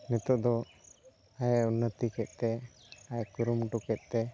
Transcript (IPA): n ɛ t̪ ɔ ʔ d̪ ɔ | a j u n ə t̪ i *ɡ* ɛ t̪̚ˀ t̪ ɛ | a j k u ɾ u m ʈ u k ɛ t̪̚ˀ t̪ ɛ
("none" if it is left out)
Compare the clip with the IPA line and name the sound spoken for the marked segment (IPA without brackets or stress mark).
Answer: k